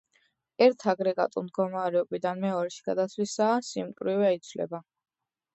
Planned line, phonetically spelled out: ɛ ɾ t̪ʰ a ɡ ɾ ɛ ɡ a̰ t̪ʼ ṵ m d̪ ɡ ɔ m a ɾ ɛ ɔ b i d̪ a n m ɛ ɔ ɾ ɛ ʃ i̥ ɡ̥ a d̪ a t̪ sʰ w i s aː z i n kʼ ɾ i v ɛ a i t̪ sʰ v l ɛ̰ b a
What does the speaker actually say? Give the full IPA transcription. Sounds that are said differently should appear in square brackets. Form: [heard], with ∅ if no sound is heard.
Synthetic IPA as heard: ɛ ɾ t̪ʰ a ɡ ɾ ɛ ɡ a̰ t̪ʼ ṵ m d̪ ɡ ɔ m a ɾ ɛ ɔ b i d̪ a n m ɛ ɔ ɾ ɛ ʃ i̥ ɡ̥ a d̪ a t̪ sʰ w i s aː [s] i [m] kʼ ɾ i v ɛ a i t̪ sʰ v l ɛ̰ b a